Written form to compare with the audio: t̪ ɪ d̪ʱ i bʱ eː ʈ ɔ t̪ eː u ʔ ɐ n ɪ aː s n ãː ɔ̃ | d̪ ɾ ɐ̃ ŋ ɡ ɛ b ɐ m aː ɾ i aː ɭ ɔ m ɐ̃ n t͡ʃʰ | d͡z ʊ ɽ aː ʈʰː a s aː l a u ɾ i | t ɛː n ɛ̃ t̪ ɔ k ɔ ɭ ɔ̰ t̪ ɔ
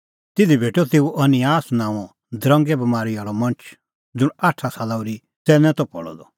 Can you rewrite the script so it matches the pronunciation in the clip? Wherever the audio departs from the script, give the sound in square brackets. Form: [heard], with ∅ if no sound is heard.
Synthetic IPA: t̪ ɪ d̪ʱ i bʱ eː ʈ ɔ t̪ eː u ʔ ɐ n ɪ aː s n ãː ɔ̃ | d̪ ɾ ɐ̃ ŋ ɡ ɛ b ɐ m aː ɾ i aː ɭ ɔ m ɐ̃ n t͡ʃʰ | d͡z ʊ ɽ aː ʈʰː a s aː l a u ɾ i | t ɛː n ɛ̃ t̪ ɔ [p] ɔ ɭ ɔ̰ [d̪] ɔ